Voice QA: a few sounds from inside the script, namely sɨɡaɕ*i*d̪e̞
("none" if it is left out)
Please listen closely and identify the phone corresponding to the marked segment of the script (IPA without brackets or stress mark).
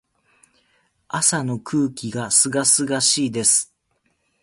iː